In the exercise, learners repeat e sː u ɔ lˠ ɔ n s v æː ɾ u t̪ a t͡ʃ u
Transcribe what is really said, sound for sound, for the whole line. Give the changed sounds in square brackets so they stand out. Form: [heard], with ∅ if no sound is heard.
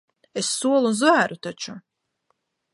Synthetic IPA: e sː u ɔ lˠ [u] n [z] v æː ɾ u t̪ a t͡ʃ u